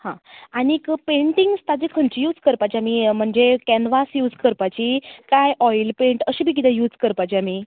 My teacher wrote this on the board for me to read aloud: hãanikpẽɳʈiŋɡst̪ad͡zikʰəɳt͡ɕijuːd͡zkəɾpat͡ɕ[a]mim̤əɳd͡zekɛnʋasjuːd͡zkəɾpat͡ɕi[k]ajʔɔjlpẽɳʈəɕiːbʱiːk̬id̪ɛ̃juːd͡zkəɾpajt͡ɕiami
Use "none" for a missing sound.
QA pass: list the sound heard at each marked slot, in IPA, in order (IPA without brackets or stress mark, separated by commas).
a, k